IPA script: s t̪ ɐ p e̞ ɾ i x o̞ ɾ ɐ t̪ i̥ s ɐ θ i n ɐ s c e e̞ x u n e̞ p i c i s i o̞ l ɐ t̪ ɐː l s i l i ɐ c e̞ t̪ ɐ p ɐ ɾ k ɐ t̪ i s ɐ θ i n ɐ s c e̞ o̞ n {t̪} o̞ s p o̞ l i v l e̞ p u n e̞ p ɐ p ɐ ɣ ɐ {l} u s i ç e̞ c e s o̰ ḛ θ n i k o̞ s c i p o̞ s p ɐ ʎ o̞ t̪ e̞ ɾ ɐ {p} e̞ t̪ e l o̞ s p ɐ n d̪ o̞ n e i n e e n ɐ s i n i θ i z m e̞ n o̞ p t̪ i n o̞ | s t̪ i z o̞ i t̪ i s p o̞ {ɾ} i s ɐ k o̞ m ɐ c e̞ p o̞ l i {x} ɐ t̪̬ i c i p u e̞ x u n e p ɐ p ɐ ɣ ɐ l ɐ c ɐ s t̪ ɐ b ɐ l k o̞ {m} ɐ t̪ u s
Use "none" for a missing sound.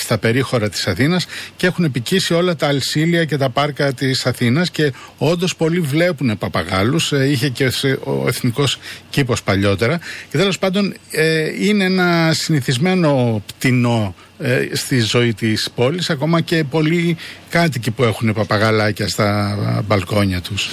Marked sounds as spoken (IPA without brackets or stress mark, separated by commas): d̪, l, c, l, k, ɲ